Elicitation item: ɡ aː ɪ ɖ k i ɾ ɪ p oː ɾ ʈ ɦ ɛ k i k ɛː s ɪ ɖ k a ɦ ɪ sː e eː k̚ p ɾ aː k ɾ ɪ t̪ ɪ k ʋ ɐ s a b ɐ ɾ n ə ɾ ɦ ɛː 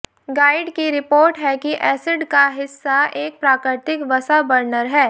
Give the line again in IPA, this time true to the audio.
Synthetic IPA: ɡ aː ɪ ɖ k i ɾ ɪ p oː ɾ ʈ ɦ ɛ k i ʔ ɛː s ɪ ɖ k a ɦ ɪ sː a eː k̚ p ɾ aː k ɾ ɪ t̪ ɪ k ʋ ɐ s a b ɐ ɾ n ə ɾ ɦ ɛː